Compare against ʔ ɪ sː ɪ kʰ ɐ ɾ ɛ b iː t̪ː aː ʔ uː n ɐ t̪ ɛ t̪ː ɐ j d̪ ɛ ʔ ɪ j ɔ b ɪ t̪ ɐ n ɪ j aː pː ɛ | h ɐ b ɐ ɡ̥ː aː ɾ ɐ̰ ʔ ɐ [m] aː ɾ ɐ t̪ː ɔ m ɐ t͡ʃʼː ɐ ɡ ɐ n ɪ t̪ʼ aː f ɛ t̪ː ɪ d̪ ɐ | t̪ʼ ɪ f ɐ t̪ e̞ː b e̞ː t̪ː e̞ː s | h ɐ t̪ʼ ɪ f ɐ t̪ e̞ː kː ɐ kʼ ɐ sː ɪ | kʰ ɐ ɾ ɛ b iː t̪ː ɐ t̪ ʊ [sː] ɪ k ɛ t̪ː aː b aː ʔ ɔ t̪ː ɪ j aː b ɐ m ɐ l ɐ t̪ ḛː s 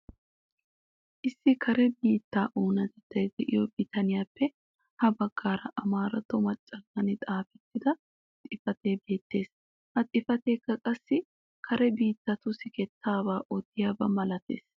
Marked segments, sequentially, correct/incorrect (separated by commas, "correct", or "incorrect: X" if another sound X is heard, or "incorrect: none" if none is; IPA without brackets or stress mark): correct, incorrect: s